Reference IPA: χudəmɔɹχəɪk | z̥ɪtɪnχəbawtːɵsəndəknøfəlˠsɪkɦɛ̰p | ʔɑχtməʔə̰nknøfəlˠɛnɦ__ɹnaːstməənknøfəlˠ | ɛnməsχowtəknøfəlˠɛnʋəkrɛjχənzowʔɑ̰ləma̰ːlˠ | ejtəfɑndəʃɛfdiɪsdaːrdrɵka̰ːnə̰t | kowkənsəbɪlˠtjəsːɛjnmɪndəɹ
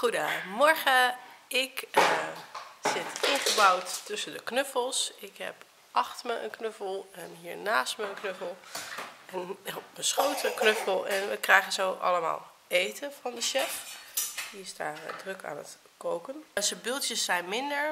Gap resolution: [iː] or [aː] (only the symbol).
iː